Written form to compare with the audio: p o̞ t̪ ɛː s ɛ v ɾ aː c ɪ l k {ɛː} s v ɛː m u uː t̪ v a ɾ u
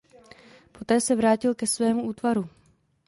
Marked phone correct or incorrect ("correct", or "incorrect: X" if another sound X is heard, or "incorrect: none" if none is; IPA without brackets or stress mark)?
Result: incorrect: ɛ